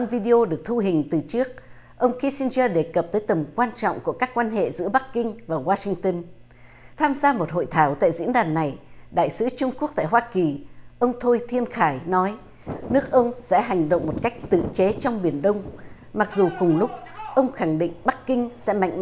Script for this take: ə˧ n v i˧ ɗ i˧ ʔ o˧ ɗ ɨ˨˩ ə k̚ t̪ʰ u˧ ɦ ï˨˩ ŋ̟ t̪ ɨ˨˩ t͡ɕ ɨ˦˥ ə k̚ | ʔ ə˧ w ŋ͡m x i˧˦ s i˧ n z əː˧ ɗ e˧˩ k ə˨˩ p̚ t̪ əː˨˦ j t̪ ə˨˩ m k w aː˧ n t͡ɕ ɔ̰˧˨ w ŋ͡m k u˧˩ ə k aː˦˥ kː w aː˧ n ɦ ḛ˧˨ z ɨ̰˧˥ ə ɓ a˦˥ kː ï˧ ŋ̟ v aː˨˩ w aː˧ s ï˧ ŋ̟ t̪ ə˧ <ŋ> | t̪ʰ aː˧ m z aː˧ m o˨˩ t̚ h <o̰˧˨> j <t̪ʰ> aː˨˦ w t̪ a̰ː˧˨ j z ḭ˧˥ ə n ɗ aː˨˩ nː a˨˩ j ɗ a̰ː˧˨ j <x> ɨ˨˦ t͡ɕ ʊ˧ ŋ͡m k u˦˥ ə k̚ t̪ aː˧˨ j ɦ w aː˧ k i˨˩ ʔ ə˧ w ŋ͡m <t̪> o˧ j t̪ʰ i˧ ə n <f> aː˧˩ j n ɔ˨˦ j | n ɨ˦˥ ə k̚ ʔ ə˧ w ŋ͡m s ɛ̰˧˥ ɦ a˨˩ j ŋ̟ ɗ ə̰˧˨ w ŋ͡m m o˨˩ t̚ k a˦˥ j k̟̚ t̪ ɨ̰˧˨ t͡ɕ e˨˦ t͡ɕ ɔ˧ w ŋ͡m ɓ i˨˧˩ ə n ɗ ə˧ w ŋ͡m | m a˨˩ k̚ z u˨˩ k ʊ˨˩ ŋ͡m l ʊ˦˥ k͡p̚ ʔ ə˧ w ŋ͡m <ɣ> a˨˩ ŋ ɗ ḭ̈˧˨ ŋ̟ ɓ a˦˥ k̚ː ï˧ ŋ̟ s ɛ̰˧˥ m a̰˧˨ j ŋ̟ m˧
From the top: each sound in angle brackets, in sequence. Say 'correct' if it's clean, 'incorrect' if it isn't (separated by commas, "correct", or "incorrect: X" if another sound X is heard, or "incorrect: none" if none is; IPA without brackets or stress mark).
incorrect: n, correct, correct, incorrect: s, incorrect: t̪ʰ, incorrect: x, incorrect: x